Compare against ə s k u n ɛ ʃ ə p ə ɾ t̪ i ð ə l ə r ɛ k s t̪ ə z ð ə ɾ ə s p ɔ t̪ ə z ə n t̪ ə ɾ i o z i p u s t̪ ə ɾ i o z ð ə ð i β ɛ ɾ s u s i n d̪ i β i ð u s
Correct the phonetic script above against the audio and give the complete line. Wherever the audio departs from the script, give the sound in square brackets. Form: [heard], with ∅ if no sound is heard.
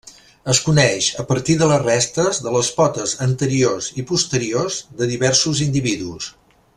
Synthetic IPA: ə s k u n ɛ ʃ ə p ə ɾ t̪ i ð ə l ə r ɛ [∅] s t̪ ə z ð ə [l] ə s p ɔ t̪ ə z ə n t̪ ə ɾ i o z i p u s t̪ ə ɾ i o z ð ə ð i β ɛ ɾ s u [z] i n d̪ i β i ð u s